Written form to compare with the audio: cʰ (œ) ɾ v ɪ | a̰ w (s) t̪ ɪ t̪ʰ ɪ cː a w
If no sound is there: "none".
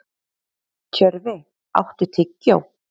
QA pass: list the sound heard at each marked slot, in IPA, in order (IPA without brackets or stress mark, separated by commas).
œ, h